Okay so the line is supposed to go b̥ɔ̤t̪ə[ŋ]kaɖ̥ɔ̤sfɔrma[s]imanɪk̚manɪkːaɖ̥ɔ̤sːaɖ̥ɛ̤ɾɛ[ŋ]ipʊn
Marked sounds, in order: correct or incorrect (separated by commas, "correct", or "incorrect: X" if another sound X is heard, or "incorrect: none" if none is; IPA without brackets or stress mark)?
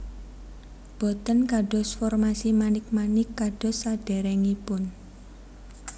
incorrect: n, correct, correct